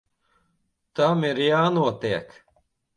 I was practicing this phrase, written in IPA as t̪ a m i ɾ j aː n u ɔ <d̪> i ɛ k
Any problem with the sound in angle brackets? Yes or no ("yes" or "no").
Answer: yes